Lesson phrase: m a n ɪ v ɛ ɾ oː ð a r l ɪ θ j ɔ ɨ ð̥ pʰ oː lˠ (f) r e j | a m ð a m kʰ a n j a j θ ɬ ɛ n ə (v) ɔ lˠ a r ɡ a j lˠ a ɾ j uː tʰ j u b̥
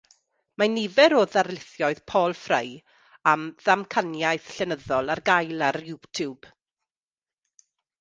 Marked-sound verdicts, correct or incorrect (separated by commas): correct, incorrect